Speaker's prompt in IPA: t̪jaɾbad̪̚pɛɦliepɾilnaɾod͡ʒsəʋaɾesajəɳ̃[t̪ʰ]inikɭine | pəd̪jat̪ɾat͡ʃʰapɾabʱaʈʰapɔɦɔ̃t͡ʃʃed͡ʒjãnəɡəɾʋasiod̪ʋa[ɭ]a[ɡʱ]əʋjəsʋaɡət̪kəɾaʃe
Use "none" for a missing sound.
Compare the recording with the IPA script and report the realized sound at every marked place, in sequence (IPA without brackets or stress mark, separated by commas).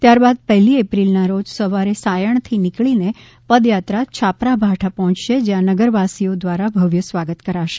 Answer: t̪ʰ, ɾ, bʱ